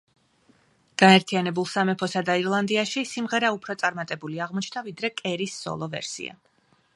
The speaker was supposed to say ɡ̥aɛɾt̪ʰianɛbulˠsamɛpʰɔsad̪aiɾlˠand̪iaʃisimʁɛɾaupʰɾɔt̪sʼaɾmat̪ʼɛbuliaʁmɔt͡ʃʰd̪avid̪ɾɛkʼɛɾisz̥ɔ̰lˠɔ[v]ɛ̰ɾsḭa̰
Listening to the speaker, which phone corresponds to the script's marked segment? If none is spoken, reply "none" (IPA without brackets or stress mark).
v